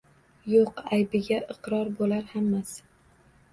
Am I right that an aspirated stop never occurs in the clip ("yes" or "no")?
yes